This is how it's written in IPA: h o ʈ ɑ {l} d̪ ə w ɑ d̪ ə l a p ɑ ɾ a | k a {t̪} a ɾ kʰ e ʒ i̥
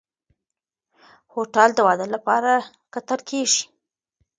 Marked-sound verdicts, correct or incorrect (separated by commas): correct, correct